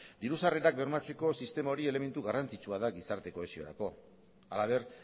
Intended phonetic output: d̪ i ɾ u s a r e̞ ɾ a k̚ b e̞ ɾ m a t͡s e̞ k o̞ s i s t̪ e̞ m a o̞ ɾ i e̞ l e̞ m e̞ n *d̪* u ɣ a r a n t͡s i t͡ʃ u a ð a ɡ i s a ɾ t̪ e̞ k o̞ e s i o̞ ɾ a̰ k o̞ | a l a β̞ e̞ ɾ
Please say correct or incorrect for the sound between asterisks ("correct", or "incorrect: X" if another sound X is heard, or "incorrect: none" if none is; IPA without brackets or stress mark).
incorrect: t̪